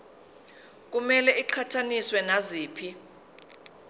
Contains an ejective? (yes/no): no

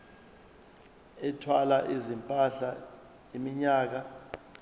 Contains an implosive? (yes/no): no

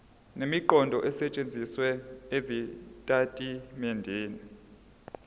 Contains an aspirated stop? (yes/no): no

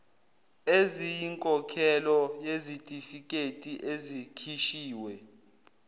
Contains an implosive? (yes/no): no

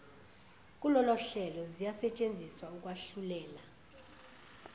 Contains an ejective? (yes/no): yes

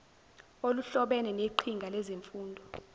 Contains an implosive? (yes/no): yes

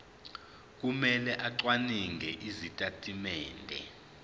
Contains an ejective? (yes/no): yes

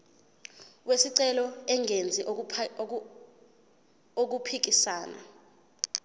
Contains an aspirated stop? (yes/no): yes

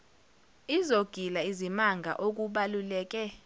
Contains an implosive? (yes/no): yes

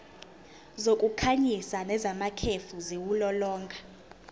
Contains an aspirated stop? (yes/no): yes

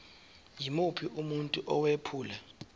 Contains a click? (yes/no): no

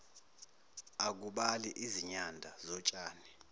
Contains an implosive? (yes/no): yes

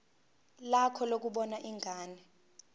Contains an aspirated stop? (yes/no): yes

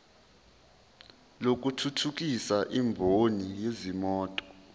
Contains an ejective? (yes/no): yes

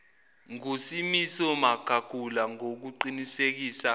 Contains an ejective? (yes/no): no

